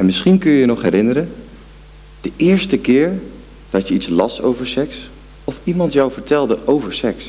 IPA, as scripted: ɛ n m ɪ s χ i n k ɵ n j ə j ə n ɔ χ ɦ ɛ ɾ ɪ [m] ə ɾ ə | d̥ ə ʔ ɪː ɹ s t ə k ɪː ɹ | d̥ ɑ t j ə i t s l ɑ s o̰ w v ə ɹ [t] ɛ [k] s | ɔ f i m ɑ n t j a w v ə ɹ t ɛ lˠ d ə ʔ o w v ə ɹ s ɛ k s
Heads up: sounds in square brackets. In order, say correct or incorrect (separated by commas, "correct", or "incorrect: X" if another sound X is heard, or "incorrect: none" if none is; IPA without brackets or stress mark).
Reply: incorrect: n, incorrect: s, correct